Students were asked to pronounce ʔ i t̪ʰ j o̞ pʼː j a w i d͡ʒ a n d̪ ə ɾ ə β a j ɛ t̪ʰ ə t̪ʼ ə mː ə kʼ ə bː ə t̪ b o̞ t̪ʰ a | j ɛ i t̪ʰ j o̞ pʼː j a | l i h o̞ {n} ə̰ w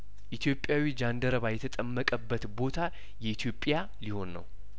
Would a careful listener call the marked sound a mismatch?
yes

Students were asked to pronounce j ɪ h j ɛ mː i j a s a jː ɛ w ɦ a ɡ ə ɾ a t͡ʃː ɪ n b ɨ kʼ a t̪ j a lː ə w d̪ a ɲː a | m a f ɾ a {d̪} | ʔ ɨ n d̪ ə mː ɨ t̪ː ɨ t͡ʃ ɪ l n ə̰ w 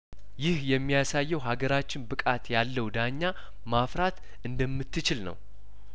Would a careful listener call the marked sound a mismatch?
yes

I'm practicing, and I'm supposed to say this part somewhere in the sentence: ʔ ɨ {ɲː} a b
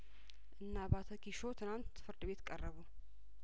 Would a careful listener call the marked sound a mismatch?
yes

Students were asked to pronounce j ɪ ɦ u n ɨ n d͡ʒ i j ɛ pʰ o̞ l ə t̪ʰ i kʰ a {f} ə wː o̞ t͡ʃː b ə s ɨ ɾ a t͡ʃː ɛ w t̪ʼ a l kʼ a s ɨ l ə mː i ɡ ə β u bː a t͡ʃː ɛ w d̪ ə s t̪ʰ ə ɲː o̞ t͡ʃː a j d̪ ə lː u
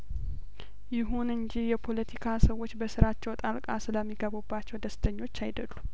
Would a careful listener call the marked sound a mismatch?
yes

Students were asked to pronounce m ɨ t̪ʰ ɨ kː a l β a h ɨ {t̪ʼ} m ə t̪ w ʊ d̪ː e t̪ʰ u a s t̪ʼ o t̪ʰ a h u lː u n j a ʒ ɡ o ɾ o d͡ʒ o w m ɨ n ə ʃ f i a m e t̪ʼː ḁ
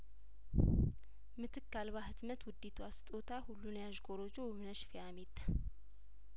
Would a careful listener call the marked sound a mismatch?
yes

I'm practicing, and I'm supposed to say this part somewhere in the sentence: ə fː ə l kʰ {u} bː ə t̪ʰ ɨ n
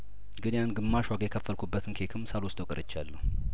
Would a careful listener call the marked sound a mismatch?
no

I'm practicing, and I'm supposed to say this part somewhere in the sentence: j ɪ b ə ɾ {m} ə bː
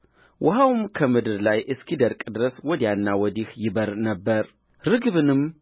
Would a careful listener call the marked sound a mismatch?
yes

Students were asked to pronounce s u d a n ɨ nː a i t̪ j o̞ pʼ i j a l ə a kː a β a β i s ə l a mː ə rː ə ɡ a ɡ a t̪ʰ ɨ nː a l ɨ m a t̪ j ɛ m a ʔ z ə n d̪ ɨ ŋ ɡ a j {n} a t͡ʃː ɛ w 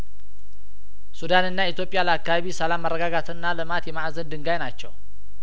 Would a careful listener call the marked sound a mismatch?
no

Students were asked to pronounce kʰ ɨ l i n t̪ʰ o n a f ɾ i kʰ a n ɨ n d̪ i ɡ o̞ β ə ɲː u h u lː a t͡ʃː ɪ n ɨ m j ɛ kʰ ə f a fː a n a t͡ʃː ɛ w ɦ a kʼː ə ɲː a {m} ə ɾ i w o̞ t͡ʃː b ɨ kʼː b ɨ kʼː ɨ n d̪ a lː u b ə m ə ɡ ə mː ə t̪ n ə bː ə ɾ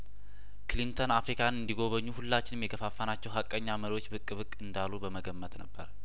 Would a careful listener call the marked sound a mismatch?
no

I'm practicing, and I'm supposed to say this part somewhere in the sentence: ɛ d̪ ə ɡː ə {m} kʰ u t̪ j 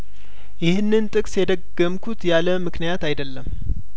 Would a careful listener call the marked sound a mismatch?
no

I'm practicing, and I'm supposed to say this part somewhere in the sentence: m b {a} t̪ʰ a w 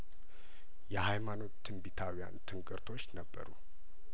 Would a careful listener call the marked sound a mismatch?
yes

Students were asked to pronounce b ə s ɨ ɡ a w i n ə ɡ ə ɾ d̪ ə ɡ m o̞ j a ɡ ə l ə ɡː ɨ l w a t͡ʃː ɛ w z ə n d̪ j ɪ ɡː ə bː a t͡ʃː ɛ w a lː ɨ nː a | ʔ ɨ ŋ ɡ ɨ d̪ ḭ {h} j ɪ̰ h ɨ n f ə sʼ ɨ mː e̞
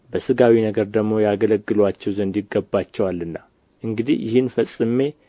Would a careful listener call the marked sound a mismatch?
no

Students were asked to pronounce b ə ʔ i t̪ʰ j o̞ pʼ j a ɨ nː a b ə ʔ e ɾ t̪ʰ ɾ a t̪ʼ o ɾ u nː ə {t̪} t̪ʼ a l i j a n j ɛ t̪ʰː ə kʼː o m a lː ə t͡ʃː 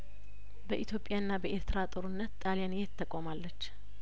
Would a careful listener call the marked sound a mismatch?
no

